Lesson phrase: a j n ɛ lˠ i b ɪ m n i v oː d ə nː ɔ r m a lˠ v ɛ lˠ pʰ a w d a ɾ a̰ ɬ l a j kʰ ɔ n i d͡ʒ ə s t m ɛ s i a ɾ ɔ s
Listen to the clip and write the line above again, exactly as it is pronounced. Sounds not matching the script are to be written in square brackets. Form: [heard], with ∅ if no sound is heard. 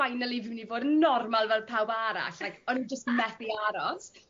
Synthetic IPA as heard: a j n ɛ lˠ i [v] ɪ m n i v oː d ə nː ɔ r m a lˠ v ɛ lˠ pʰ a w [b] a ɾ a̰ ɬ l a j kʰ ɔ n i d͡ʒ ə s t m ɛ [θ] i a ɾ ɔ s